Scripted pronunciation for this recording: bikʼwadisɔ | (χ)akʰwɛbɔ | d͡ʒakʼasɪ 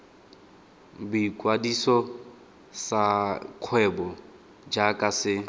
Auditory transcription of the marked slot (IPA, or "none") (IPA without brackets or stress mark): s